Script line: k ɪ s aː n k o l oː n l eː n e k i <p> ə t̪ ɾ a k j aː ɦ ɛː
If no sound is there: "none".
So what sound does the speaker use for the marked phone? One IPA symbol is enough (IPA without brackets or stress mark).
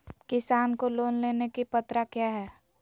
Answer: p